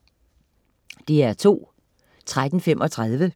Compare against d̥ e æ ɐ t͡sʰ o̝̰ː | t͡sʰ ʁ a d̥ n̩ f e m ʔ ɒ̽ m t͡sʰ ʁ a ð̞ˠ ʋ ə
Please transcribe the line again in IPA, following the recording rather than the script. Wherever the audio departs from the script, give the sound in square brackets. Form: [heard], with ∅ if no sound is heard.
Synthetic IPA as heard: d̥ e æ ɐ t͡sʰ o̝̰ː | t͡sʰ ʁ a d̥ n̩ f e m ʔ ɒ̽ [∅] t͡sʰ ʁ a ð̞ˠ ʋ ə

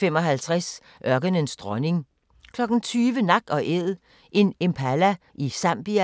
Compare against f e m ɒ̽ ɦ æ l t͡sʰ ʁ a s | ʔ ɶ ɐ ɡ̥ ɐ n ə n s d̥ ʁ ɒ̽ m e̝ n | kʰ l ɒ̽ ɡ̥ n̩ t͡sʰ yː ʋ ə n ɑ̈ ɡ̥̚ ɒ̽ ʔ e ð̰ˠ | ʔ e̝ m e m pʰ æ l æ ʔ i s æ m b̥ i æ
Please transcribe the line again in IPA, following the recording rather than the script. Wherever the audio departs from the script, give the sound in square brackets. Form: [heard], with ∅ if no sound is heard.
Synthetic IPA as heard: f e m ɒ̽ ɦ æ l t͡sʰ ʁ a s | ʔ ɶ ɐ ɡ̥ [ə] n ə n s d̥ ʁ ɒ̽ [n] e̝ [ŋ] | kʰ l ɒ̽ ɡ̥ n̩ t͡sʰ yː ʋ ə n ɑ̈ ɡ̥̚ ɒ̽ ʔ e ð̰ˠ | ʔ e̝ [n] e m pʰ æ l æ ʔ i s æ m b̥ i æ

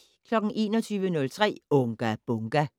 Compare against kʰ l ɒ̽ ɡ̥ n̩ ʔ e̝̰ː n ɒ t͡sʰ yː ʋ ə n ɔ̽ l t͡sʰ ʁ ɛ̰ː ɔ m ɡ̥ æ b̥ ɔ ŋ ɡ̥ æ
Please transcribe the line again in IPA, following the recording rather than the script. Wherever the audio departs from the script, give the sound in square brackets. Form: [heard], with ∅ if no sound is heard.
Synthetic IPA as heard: kʰ l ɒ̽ ɡ̥ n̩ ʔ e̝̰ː n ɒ t͡sʰ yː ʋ ə n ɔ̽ l t͡sʰ ʁ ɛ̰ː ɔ [ŋ] ɡ̥ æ b̥ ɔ ŋ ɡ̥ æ

